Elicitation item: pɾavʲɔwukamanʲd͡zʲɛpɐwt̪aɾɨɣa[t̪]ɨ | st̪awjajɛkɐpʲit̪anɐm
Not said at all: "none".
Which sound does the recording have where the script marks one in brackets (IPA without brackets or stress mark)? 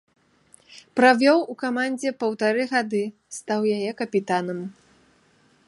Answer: d̪